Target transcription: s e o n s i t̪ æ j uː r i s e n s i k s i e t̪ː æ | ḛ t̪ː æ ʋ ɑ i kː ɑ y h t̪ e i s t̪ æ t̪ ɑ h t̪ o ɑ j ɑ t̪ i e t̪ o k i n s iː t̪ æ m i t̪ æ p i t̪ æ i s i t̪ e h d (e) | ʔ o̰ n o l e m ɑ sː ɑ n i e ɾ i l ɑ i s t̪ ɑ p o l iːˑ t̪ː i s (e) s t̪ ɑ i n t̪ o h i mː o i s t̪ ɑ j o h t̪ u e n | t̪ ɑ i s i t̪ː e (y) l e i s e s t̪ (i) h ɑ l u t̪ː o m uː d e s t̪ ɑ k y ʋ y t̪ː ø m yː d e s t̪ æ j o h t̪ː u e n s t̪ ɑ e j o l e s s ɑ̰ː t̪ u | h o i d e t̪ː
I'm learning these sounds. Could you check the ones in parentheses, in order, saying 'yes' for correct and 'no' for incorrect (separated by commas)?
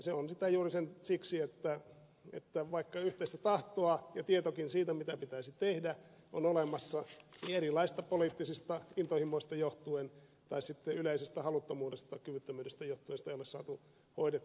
no, no, yes, no